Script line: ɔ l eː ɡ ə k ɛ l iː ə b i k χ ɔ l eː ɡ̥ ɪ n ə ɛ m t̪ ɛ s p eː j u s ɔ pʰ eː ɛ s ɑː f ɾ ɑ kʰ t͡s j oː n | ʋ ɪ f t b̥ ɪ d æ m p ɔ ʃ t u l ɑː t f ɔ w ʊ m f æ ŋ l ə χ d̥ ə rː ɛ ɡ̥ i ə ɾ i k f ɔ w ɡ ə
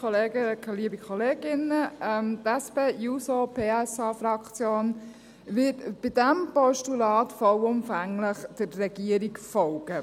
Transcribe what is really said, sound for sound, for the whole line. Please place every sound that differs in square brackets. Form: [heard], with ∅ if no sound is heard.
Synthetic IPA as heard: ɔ l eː ɡ ə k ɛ l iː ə b i k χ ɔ l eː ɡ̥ ɪ n ə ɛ m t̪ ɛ s p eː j u s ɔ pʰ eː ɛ s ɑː f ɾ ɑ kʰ t͡s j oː n | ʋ ɪ [∅] t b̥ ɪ d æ m p ɔ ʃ t u l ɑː t f ɔ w ʊ m f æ ŋ l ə χ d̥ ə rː ɛ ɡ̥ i ə ɾ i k f ɔ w ɡ ə